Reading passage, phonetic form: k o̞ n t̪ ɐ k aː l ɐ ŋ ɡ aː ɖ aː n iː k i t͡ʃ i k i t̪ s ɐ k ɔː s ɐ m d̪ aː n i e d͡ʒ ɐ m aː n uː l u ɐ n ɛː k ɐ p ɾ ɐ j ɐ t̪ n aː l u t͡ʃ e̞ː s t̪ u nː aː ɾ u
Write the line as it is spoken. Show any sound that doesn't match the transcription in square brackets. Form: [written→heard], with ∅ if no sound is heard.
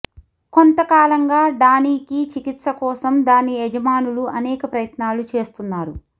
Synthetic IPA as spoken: k o̞ n t̪ ɐ k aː l ɐ ŋ ɡ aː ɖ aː n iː k i t͡ʃ i k i t̪ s ɐ k ɔː s ɐ m d̪ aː n i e d͡ʒ ɐ m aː n [uː→u] l u ɐ n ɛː k ɐ p ɾ ɐ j ɐ t̪ n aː l u t͡ʃ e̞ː s t̪ u nː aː ɾ u